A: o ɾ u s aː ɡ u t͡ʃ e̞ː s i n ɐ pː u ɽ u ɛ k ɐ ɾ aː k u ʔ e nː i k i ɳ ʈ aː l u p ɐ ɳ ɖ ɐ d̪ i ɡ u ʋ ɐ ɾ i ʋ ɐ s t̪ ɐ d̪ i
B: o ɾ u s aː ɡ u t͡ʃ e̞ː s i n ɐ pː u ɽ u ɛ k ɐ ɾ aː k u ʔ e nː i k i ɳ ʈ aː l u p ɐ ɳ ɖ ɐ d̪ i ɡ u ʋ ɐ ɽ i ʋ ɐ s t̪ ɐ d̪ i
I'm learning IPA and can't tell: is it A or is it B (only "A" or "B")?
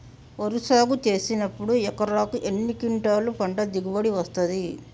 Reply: B